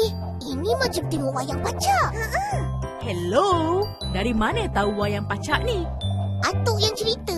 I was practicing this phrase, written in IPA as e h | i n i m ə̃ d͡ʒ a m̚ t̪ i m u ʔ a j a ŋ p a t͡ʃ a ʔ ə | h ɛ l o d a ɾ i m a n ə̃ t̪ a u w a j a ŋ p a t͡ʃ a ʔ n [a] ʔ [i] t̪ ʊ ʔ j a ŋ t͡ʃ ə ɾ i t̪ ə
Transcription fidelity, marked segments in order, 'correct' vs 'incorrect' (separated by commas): incorrect, incorrect